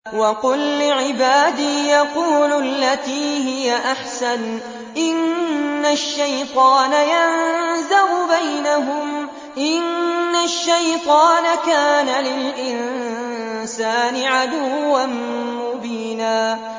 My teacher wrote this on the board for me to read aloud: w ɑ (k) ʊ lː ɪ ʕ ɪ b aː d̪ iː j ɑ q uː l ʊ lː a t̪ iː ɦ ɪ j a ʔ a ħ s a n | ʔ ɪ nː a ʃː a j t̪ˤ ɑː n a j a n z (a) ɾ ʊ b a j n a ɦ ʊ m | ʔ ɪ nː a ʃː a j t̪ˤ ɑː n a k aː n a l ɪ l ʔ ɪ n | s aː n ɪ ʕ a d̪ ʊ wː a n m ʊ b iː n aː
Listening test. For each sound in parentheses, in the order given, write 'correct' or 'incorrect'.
incorrect: q, correct

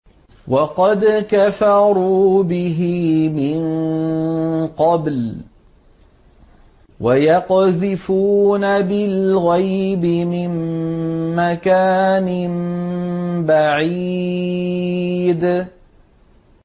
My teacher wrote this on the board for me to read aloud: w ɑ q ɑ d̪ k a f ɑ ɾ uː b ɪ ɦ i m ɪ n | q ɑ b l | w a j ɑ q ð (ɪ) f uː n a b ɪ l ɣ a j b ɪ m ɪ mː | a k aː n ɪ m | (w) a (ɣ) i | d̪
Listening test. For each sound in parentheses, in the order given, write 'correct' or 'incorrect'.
correct, incorrect: b, incorrect: ʕ

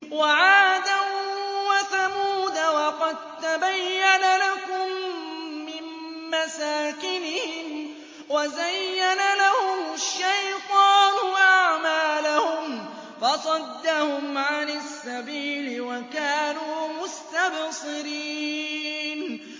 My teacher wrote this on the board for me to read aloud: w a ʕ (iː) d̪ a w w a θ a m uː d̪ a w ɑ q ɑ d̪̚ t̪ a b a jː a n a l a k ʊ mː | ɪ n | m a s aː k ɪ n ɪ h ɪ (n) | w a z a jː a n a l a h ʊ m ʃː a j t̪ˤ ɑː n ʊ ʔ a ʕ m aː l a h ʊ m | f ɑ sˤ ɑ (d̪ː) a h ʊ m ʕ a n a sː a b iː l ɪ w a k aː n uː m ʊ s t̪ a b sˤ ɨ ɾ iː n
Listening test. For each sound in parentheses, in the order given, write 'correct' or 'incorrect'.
incorrect: aː, incorrect: m, correct

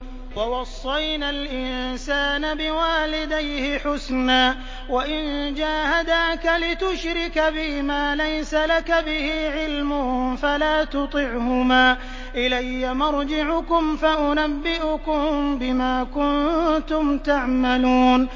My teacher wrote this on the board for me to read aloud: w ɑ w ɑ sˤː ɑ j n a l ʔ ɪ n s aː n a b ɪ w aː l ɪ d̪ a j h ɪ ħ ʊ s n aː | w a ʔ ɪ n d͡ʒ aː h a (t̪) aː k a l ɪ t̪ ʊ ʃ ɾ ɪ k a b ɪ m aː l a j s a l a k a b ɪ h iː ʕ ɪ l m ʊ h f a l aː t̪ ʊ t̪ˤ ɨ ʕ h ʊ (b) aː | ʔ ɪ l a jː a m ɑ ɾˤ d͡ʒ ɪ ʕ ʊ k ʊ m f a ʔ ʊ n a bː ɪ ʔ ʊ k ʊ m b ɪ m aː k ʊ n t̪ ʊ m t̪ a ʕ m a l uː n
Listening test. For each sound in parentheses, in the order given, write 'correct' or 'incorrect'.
incorrect: d̪, incorrect: m

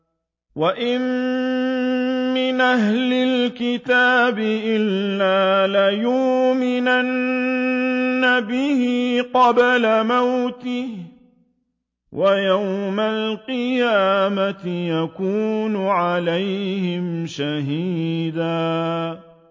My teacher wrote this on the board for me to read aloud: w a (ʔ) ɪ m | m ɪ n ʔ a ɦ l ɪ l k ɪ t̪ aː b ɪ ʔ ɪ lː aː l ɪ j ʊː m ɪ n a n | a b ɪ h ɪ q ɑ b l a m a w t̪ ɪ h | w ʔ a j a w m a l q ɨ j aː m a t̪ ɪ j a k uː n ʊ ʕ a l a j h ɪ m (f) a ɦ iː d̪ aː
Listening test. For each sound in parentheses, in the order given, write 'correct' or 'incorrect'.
correct, incorrect: ʃ

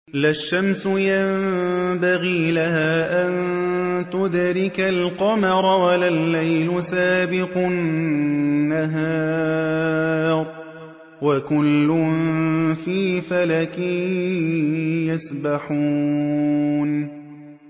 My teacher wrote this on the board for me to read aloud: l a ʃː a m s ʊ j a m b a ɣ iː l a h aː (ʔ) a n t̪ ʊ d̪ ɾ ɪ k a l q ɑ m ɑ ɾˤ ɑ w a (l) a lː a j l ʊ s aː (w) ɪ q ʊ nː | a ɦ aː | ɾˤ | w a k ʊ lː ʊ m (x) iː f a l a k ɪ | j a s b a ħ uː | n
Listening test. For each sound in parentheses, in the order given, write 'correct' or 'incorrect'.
correct, correct, incorrect: b, incorrect: f

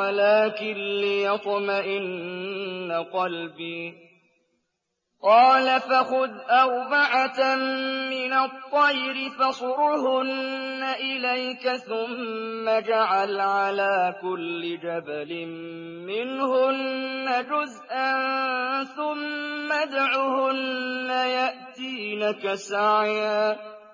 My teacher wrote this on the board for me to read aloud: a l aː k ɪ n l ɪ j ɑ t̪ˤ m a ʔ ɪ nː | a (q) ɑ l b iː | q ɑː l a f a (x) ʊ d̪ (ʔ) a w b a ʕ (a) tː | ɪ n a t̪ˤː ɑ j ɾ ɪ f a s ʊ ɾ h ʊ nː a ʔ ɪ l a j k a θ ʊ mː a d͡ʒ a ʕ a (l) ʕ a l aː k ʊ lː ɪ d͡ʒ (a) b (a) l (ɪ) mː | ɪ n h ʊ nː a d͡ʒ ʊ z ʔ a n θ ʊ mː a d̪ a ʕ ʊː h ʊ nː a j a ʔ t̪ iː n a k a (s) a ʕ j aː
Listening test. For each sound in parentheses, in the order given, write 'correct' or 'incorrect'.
correct, correct, correct, correct, correct, correct, correct, correct, correct

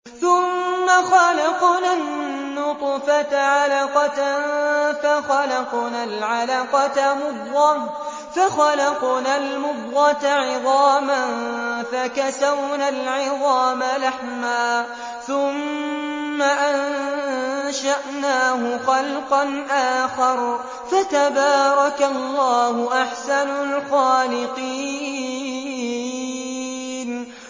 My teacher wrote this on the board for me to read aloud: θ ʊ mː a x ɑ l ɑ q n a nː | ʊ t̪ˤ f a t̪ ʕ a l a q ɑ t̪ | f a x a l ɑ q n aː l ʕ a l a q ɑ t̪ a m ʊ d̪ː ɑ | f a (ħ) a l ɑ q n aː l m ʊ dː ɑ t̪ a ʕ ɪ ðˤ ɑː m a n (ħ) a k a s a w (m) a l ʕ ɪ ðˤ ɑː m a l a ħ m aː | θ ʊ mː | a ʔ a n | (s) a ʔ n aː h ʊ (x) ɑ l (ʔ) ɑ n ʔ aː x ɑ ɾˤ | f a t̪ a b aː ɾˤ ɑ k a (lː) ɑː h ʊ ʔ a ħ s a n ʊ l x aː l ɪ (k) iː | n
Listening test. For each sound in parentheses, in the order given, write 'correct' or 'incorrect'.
incorrect: x, incorrect: f, incorrect: n, incorrect: ʃ, correct, incorrect: q, correct, incorrect: q

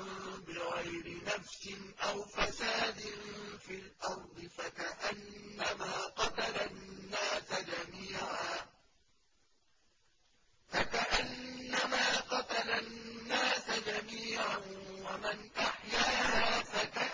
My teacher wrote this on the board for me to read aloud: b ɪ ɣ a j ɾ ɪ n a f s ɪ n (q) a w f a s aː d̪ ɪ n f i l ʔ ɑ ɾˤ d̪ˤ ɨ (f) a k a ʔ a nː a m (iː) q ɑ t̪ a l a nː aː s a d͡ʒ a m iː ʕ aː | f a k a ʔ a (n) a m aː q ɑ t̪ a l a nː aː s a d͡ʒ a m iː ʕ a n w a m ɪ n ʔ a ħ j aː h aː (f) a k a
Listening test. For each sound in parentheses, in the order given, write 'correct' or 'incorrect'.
incorrect: ʔ, correct, incorrect: aː, incorrect: nː, correct

